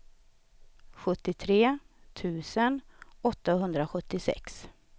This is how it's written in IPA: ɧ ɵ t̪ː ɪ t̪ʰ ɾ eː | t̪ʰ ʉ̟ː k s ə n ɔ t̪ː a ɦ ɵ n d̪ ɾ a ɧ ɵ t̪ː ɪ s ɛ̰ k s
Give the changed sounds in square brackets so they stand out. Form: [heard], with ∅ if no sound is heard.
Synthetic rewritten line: ɧ ɵ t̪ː ɪ t̪ʰ ɾ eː | t̪ʰ ʉ̟ː [∅] s ə n ɔ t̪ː a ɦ ɵ n d̪ ɾ a ɧ ɵ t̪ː ɪ s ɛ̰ k s